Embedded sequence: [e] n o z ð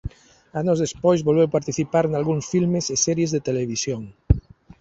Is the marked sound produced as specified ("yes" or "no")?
no